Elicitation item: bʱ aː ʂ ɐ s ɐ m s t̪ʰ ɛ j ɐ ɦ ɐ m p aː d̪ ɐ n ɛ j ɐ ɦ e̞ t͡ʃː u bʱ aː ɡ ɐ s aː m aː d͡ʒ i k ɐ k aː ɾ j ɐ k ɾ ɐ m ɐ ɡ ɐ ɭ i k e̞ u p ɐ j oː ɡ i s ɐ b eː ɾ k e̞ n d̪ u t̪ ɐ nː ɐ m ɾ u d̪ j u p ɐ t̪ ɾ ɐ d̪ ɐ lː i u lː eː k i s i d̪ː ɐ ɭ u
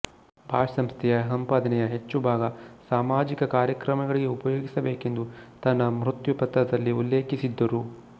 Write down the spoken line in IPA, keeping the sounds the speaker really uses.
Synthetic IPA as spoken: bʱ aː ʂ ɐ s ɐ m s t̪ʰ ɛ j ɐ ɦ ɐ m p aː d̪ ɐ n ɛ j ɐ ɦ e̞ t͡ʃː u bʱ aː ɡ ɐ s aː m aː d͡ʒ i k ɐ k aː ɾ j ɐ k ɾ ɐ m ɐ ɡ ɐ ɭ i ɡ e̞ u p ɐ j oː ɡ i s ɐ b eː k e̞ n d̪ u t̪ ɐ nː ɐ m ɾ u t̪ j u p ɐ t̪ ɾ ɐ d̪ ɐ lː i u lː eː k i s i d̪ː ɐ ɾ u